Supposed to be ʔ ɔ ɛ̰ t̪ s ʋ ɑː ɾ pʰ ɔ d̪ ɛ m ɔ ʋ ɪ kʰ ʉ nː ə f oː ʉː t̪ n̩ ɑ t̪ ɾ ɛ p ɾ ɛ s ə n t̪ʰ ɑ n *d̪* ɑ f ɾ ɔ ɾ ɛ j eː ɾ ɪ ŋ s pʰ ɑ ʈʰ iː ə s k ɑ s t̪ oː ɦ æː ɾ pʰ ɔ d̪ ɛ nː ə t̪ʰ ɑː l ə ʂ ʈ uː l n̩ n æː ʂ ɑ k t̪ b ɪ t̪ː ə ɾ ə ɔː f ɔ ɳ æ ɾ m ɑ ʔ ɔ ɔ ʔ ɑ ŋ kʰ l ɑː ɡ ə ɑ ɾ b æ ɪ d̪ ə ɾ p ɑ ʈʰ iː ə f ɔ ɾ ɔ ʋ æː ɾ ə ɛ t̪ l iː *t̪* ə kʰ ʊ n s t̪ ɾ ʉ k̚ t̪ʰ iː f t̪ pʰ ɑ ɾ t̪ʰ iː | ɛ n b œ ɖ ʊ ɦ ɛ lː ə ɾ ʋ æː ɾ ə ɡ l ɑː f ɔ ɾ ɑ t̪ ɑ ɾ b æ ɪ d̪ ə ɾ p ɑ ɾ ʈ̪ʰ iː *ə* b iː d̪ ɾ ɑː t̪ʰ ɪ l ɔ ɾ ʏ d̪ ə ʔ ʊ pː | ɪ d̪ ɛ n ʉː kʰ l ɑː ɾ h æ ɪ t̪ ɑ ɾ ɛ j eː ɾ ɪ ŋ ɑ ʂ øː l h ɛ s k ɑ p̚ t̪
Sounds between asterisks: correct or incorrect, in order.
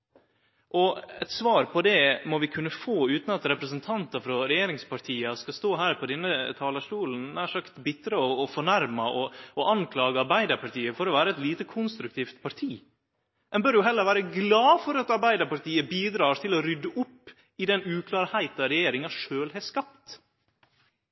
incorrect: t̪, correct, correct

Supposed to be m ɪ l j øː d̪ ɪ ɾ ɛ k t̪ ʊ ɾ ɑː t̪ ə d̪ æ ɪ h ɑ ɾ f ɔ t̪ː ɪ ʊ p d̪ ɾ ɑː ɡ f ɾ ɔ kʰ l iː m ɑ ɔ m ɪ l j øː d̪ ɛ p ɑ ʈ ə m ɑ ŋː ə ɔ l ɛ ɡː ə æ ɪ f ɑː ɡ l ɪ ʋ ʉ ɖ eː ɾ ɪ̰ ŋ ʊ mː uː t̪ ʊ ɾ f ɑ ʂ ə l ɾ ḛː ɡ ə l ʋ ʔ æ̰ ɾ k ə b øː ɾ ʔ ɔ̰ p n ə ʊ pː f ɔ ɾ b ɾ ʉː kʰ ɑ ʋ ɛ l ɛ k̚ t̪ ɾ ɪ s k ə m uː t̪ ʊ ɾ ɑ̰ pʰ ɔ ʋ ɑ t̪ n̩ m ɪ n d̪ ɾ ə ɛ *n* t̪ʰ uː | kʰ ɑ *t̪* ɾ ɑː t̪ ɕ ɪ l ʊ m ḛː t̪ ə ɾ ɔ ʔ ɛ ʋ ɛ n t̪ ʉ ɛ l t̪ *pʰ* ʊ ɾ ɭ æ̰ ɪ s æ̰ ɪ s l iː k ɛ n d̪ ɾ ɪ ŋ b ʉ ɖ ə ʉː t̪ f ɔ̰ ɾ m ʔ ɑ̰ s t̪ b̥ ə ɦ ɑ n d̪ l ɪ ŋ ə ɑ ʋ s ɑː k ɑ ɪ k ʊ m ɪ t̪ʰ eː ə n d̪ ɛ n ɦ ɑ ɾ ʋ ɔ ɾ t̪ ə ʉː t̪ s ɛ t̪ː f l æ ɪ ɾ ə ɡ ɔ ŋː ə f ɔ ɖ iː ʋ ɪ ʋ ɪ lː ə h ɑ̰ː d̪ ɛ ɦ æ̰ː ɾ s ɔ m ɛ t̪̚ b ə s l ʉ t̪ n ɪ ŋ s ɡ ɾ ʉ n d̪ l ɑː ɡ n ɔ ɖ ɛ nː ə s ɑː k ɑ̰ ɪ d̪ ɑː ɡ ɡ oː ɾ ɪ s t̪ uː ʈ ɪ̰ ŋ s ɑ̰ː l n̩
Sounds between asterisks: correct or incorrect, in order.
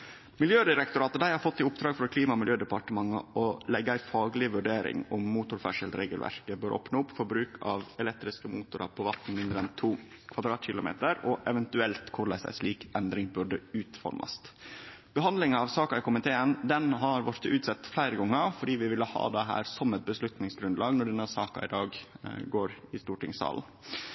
correct, incorrect: d̪, incorrect: kʰ

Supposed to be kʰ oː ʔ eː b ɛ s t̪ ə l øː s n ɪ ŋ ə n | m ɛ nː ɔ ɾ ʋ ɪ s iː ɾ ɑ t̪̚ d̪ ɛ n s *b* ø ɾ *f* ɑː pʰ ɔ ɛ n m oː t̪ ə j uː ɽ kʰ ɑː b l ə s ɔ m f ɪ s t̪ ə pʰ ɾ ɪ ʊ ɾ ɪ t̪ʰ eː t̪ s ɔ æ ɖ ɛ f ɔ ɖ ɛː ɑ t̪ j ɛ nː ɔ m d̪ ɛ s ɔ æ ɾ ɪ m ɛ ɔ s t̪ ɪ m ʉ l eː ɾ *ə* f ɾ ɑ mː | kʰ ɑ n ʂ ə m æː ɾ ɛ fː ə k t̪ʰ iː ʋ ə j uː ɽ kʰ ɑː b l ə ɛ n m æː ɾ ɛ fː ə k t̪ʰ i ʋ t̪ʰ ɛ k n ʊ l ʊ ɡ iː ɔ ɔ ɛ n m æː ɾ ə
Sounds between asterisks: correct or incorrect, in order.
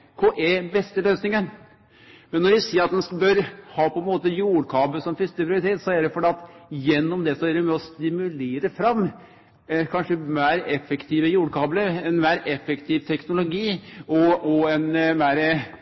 correct, incorrect: h, correct

